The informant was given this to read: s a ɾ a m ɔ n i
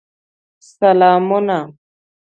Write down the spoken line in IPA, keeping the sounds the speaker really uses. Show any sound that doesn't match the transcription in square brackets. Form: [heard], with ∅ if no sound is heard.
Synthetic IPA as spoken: s a [l] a m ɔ n [a]

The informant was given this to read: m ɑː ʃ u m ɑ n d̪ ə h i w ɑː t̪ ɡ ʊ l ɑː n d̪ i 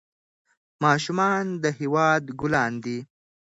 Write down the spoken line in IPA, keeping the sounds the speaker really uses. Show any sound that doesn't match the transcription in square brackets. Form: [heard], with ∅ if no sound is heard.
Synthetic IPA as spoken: m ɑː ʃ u m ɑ n d̪ ə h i w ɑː [d̪] ɡ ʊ l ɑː n d̪ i

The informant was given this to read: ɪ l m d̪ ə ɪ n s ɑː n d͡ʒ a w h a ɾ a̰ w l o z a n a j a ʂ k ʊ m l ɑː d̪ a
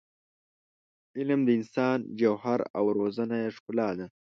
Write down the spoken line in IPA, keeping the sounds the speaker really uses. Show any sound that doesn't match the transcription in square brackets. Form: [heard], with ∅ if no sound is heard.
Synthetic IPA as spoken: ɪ l m d̪ ə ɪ n s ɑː n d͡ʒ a w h a ɾ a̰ w [ɾ] o z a n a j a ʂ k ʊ [∅] l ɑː d̪ a

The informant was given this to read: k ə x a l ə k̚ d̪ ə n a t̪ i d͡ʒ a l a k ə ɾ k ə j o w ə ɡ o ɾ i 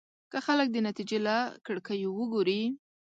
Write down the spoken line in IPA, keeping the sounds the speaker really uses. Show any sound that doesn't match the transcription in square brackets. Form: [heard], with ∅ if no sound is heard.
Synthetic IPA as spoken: k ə x a l ə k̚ d̪ ə n a t̪ i d͡ʒ [e] l a k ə [ɽ] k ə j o w ə ɡ o ɾ i

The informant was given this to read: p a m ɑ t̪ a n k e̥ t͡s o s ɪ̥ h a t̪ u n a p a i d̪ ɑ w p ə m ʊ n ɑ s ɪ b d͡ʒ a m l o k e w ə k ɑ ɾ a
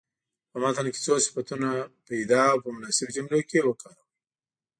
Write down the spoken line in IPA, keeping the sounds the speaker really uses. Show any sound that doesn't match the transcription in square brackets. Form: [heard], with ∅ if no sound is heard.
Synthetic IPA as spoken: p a m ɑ t̪ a n k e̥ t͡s o s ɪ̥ [f] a t̪ u n a p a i d̪ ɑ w p ə m ʊ n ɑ s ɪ b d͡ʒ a m l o k e w ə k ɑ ɾ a

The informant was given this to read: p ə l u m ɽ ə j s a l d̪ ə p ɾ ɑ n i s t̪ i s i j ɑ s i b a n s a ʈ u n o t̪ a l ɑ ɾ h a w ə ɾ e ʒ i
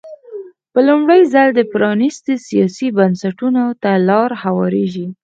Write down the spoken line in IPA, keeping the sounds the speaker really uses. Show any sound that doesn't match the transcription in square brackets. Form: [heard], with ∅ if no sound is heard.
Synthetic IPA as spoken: p ə l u m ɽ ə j [z] a l d̪ ə p ɾ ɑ n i s t̪ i s i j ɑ s i b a n s a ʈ u n o t̪ a l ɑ ɾ h a w [ɑ] ɾ e ʒ i

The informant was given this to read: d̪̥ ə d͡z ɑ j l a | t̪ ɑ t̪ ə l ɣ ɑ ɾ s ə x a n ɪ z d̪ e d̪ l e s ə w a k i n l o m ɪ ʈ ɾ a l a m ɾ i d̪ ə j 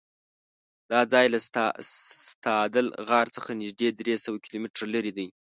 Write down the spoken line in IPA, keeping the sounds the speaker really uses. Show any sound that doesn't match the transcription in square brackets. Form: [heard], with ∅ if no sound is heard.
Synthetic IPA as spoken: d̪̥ [ɑ] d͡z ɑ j l a | t̪ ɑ [d̪] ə l ɣ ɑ ɾ [t͡s] ə x a n ɪ [ʒ] d̪ e d̪ [ɾ] e s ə w a k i [∅] l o m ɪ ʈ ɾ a l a [∅] ɾ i d̪ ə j

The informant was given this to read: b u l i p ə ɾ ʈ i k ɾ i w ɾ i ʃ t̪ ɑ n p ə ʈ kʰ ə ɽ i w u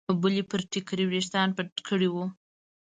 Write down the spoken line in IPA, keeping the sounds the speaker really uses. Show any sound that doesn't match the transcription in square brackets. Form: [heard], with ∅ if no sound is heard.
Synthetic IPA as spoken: b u l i p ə ɾ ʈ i k ɾ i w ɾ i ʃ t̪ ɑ n p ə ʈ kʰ ə ɽ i w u

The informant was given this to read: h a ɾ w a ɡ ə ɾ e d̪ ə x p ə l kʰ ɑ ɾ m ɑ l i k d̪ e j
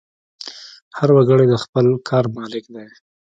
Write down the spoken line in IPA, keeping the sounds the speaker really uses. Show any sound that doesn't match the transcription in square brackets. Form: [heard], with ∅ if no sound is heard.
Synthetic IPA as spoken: h a ɾ w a ɡ ə [ɽ] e d̪ ə x p ə l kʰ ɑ ɾ m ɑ l [ɪ] k d̪ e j

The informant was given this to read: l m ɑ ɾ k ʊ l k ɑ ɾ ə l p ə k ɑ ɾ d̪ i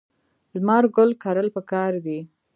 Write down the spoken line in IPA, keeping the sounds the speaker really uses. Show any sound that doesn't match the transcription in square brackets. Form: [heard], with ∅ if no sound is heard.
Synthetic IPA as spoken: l m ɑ ɾ [ɡ] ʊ l k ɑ ɾ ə l p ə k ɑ ɾ d̪ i

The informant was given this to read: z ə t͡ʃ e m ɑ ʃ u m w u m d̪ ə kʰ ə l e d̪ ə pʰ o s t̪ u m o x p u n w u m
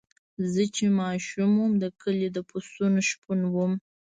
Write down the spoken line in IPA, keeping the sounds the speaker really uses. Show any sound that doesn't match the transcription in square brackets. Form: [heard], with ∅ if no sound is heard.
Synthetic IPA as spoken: z ə t͡ʃ e m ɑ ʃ u m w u m d̪ ə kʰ ə l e d̪ ə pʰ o s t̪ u [n] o [ʃ] p u n w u m

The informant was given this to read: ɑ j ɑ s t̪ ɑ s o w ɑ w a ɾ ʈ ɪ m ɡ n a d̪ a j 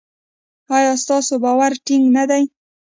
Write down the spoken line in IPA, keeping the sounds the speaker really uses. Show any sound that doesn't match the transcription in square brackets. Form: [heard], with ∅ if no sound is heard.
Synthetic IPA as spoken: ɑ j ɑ s t̪ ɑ s o [b] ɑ w a ɾ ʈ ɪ [ŋ] ɡ n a d̪ a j

